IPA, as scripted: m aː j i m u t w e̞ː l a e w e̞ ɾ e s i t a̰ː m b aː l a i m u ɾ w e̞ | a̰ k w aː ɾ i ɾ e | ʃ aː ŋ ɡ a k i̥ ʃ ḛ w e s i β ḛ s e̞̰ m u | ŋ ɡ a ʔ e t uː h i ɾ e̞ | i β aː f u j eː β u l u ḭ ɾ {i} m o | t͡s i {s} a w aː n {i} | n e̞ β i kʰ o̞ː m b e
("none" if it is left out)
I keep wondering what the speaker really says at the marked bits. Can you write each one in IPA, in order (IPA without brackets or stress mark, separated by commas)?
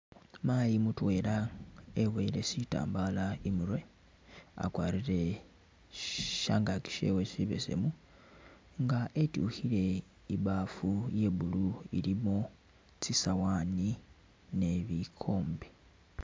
i, s, i